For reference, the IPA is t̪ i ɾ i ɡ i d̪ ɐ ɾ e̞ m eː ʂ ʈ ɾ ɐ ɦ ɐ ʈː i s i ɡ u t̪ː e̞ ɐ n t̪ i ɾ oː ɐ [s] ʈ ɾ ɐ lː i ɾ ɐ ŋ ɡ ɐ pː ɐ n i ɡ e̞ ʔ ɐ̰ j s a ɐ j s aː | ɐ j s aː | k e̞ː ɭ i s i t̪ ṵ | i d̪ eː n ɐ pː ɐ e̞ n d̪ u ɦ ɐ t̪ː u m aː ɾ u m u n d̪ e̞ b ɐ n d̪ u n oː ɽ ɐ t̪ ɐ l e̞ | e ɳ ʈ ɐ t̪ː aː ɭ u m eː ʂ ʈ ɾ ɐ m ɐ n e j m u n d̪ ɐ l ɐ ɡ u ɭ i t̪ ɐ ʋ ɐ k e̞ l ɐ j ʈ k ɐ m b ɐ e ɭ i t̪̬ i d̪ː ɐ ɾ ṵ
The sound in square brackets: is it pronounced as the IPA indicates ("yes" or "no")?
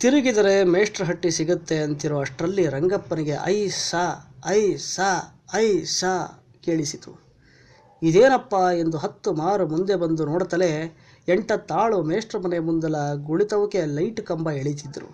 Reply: no